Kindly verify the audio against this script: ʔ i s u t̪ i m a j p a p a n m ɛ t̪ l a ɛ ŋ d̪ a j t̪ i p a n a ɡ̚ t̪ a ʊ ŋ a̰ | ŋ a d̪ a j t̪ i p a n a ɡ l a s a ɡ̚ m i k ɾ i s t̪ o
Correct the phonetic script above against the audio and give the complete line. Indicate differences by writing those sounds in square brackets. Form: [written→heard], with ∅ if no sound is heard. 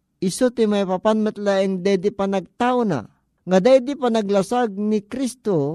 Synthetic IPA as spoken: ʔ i s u t̪ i m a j p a p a n m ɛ t̪ l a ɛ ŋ d̪ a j [t̪→d̪] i p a n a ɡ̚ t̪ a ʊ [ŋ→n] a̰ | ŋ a d̪ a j [t̪→d̪] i p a n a ɡ l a s a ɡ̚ [m→n] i k ɾ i s t̪ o